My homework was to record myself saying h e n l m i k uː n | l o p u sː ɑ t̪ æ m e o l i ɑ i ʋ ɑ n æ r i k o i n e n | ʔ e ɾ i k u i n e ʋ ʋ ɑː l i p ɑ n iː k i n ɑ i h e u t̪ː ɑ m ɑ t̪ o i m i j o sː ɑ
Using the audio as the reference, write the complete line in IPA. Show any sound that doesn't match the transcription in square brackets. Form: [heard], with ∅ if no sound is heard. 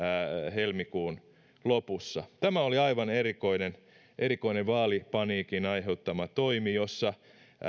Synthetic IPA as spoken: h e [∅] l m i k uː n | l o p u sː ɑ t̪ æ m [æ] o l i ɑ i ʋ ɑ n [e] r i k o i n e n | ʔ e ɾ i k [o] i n e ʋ ʋ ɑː l i p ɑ n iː k i n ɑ i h e u t̪ː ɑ m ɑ t̪ o i m i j o sː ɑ